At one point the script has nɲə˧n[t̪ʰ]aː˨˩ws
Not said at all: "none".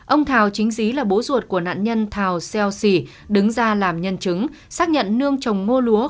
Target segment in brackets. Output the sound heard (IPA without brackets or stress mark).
t̪ʰ